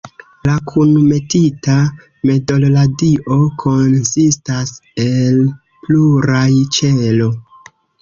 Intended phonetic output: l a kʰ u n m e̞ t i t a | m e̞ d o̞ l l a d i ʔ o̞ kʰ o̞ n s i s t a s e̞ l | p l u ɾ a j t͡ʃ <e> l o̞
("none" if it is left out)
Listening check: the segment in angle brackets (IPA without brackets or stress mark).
e